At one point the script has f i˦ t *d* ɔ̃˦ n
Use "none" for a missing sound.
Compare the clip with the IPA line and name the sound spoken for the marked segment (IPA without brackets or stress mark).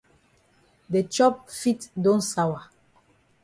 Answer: d